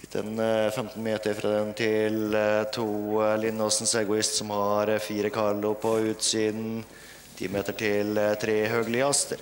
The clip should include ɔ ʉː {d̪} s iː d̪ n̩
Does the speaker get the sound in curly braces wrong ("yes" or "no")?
yes